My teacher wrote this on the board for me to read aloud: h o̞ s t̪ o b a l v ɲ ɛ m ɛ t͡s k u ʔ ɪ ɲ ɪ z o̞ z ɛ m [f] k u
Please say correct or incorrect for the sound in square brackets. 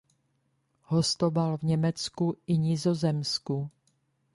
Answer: incorrect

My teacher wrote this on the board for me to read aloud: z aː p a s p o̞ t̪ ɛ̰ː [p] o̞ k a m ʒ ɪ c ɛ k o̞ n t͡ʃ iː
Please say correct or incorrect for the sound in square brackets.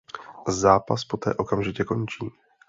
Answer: incorrect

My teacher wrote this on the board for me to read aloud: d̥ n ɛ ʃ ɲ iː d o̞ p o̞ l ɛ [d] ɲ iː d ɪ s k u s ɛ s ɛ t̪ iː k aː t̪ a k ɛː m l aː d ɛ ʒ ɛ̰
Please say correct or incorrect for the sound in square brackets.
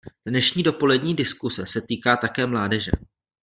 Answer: correct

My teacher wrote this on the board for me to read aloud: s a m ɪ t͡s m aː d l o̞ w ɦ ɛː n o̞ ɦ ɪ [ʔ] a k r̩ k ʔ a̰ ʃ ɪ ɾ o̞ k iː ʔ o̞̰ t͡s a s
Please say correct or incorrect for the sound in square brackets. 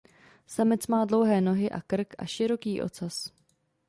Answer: correct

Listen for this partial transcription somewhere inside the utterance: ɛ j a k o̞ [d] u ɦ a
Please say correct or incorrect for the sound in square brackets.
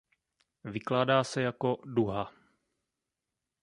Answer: correct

